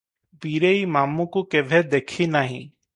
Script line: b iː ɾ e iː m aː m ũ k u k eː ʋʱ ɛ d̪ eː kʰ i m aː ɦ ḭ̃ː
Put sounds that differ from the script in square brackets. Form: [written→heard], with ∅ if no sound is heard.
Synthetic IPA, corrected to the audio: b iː ɾ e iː m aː m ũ k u k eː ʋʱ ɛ d̪ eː kʰ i [m→n] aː ɦ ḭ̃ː